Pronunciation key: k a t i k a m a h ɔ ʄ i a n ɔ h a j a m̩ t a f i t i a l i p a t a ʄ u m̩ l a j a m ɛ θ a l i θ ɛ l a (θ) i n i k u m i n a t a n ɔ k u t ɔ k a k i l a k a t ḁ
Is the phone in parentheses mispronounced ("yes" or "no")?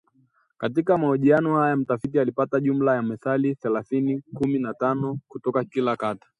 no